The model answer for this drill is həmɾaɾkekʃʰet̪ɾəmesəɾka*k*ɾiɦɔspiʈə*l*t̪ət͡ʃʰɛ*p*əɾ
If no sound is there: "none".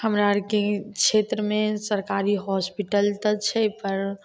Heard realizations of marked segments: none, l, p

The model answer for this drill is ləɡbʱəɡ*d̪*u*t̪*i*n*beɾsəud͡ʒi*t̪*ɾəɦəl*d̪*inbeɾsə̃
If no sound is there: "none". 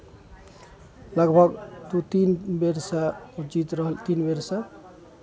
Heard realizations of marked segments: t̪, t̪, n, t̪, t̪

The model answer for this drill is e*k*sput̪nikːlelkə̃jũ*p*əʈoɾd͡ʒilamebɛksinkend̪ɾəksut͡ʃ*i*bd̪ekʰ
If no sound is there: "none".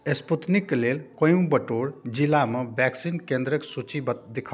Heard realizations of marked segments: none, b, i

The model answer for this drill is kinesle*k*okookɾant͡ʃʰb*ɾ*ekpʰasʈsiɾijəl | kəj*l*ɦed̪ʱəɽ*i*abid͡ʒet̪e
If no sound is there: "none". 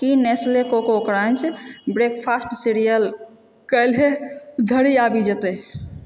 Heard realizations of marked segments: k, ɾ, l, i

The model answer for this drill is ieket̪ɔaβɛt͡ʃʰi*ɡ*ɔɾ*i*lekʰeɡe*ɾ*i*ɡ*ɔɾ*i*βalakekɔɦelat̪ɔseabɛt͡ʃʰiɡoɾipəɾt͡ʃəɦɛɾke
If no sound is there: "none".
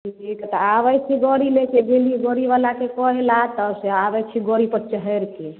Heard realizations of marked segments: ɡ, i, l, ɡ, i

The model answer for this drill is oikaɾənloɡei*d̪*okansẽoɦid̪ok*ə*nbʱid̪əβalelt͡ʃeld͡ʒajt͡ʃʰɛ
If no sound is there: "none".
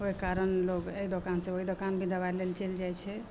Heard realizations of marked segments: d̪, a

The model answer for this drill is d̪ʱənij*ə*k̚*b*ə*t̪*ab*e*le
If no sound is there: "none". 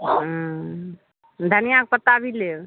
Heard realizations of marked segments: a, p, t̪, i

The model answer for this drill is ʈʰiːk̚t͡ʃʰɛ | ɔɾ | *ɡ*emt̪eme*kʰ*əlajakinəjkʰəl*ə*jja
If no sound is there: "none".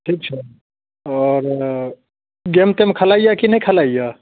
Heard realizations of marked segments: ɡ, kʰ, a

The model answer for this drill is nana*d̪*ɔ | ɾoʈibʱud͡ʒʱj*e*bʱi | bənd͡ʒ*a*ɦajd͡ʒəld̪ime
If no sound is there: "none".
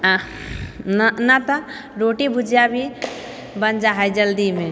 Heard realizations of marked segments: t̪, a, a

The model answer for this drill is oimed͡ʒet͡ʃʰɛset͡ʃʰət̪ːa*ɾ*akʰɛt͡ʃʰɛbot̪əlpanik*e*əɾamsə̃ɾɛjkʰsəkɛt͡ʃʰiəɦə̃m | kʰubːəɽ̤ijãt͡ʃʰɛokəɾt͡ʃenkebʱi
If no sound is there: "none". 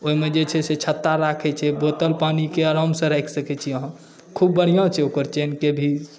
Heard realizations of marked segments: ɾ, e

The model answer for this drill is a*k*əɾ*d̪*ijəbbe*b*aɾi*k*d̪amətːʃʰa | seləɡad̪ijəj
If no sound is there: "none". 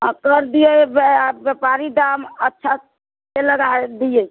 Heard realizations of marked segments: k, d̪, p, none

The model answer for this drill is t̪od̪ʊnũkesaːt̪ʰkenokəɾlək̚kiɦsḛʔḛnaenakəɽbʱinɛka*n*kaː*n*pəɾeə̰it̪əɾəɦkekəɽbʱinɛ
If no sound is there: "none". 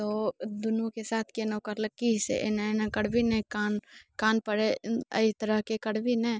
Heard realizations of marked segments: n, n

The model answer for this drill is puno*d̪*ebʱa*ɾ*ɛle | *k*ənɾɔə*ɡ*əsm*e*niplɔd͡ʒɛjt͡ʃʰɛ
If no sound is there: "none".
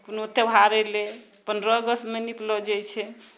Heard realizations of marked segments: t̪, ɾ, p, ɡ, e

